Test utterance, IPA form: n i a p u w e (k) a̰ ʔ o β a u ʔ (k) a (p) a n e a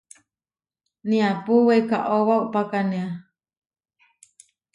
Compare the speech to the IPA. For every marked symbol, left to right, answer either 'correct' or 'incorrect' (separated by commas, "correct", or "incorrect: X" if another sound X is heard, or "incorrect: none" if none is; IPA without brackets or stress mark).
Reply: correct, incorrect: p, incorrect: k